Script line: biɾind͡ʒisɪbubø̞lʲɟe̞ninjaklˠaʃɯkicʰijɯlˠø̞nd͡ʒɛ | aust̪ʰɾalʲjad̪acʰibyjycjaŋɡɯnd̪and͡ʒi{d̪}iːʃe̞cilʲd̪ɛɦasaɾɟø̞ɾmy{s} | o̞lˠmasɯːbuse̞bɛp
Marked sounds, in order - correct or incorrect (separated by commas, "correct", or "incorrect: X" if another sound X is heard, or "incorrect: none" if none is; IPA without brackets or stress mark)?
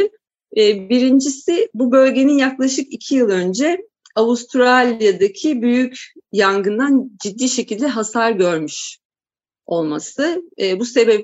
incorrect: d̪ː, incorrect: ʃ